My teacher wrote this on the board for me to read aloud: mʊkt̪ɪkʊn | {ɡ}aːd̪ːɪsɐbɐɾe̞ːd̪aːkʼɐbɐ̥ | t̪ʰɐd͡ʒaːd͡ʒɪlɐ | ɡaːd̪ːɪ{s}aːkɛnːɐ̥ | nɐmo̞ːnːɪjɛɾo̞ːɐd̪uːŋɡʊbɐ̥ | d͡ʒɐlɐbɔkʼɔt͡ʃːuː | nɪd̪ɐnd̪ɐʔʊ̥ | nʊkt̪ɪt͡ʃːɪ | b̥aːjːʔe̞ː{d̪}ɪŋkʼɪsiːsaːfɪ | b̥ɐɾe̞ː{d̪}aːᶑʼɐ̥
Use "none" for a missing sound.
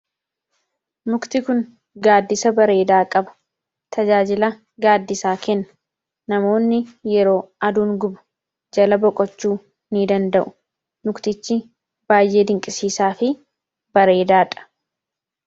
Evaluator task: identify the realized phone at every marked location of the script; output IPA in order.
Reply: ɡ, s, d̪, d̪

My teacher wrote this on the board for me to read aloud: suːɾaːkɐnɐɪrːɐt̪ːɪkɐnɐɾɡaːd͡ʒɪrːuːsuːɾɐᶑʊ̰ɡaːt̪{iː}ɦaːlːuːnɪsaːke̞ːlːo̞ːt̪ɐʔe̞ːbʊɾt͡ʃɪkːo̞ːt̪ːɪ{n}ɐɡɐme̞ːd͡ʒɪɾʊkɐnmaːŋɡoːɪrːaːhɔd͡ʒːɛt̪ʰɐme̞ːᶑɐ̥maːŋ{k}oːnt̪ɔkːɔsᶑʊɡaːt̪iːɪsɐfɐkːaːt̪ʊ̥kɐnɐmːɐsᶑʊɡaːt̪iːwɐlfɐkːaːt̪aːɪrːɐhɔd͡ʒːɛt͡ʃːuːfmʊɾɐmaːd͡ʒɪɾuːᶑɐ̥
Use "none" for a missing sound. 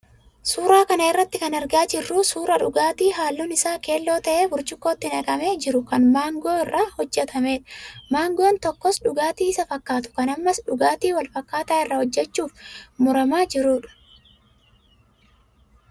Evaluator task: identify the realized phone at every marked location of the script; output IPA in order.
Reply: iː, n, ɡ

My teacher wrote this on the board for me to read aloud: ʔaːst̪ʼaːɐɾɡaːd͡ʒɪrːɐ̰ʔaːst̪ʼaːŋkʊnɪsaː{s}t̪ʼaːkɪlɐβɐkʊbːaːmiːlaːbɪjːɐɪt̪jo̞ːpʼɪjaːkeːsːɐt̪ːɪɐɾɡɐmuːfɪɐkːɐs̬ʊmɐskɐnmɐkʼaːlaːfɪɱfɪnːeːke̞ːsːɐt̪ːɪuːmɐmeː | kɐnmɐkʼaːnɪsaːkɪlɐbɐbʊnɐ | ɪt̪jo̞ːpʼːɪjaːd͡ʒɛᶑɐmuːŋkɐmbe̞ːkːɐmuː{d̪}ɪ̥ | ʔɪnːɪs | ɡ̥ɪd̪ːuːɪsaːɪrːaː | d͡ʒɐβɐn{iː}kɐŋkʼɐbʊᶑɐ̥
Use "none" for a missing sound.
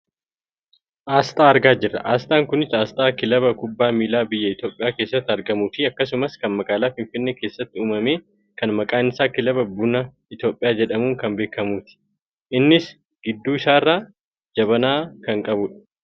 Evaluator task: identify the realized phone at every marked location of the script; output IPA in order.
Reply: s, t̪, aː

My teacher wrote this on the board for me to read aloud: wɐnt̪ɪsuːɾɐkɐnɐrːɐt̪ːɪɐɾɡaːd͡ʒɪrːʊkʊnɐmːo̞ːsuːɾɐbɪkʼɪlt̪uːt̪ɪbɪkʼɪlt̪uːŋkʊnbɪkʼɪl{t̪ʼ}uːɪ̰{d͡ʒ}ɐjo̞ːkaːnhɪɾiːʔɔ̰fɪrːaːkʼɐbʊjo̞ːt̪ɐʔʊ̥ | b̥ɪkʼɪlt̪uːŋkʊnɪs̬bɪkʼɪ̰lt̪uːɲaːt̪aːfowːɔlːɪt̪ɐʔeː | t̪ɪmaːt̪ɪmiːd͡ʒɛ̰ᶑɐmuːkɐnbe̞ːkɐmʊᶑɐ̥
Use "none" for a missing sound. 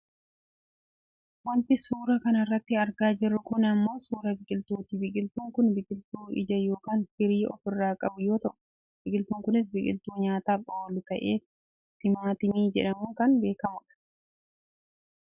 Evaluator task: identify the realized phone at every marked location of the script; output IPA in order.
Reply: t̪, d͡ʒ

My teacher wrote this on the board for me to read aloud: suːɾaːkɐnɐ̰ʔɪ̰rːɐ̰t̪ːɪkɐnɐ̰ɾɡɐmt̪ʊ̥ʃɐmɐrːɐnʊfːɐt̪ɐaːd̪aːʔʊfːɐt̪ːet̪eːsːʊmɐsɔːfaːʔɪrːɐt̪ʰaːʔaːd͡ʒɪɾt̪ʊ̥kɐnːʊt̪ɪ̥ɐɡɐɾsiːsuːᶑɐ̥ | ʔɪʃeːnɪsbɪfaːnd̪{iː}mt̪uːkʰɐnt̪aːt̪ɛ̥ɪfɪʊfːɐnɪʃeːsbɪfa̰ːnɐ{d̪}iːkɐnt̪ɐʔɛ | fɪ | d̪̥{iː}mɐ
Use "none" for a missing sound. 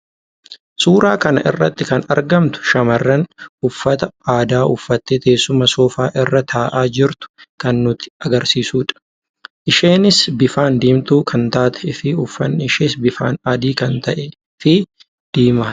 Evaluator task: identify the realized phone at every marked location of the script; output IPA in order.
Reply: iː, d̪, iː

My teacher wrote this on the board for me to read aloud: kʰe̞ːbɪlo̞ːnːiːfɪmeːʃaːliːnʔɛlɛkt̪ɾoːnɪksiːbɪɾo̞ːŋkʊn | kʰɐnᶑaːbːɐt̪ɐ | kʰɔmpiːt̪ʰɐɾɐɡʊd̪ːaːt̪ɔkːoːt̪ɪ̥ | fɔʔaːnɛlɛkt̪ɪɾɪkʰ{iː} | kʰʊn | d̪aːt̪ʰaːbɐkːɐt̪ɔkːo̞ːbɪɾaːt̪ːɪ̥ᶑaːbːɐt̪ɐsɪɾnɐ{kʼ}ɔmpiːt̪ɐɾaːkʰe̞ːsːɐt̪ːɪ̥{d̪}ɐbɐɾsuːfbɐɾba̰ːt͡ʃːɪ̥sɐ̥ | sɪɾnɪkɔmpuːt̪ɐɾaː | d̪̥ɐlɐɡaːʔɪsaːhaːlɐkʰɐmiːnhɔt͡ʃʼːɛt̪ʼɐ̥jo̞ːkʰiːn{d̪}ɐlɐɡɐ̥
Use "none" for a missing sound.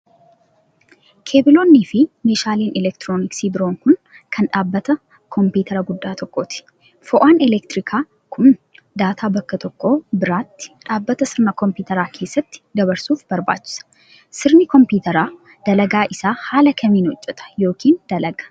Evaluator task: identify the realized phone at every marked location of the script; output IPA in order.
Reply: aː, k, d̪, d̪

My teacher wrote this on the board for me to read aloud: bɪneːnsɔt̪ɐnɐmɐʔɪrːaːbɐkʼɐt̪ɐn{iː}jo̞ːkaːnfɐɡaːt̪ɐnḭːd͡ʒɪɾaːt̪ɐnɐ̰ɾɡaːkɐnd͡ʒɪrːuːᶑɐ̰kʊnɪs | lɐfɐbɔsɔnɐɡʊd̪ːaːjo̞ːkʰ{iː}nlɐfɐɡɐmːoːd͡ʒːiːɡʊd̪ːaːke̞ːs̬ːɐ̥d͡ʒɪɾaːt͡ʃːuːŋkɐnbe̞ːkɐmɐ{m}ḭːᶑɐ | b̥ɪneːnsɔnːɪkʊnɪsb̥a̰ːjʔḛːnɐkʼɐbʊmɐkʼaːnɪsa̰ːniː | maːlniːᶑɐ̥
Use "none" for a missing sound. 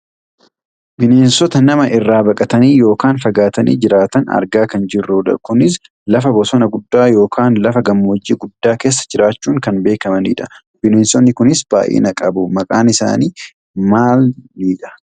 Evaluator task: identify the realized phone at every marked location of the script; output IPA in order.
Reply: iː, aː, n

